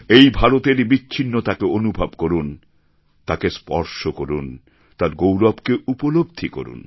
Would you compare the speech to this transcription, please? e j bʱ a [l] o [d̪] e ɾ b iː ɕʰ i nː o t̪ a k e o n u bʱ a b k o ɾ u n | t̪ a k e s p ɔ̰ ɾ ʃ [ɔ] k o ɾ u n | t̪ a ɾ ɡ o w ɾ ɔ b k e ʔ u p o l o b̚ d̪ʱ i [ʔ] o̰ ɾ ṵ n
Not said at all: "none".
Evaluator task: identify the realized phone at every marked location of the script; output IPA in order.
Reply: ɾ, t̪, o, k

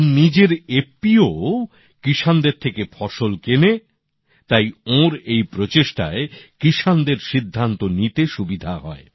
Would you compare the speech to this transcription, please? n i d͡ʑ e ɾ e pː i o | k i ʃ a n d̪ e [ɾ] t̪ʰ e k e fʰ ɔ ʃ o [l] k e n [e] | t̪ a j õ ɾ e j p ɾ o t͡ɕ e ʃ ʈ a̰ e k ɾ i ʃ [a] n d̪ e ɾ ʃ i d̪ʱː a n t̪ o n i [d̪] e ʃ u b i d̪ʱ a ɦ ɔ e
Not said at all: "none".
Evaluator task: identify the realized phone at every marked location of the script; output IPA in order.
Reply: ɾ, l, e, a, t̪

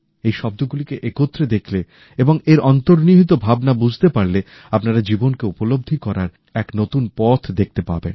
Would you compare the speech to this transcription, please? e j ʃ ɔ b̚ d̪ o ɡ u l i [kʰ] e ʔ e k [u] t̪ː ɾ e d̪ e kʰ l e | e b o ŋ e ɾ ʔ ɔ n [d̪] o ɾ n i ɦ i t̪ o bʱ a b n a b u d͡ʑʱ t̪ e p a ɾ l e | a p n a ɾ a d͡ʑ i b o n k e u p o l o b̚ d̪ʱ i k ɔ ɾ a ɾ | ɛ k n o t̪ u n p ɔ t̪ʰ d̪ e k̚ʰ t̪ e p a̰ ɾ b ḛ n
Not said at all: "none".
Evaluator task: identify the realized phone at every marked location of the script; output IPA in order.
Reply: k, o, t̪

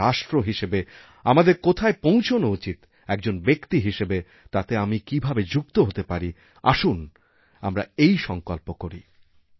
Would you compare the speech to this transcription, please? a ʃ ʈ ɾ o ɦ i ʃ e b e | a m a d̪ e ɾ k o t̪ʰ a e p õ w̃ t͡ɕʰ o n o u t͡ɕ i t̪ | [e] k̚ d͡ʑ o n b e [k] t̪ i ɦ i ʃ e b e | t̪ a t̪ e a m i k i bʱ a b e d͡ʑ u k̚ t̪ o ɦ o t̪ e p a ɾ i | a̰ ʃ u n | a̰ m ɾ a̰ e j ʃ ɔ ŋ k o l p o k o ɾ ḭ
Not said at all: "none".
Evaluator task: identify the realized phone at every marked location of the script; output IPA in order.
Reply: ɛ, k

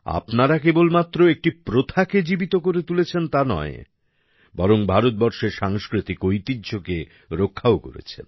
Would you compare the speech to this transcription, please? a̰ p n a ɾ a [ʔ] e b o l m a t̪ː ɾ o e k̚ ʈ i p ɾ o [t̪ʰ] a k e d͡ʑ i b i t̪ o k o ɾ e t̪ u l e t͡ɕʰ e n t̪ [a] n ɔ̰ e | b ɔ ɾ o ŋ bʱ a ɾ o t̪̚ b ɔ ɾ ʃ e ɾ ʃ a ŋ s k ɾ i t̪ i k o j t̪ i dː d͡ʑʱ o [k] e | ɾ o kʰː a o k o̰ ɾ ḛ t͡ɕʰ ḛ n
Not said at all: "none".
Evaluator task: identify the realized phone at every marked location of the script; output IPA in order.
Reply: k, t̪ʰ, a, k

